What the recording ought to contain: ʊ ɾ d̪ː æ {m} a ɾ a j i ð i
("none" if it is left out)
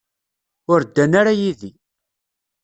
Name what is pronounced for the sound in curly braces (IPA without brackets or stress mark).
n